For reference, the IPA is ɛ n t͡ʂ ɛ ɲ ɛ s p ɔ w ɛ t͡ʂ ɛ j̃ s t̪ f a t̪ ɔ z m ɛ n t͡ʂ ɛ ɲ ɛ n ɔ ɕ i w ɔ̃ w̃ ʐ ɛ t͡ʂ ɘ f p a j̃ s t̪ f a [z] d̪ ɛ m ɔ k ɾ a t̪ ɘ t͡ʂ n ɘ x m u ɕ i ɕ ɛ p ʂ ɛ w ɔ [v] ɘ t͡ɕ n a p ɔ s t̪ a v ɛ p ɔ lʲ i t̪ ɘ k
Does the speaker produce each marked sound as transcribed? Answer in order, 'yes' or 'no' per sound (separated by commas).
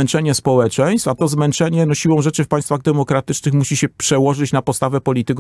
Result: no, no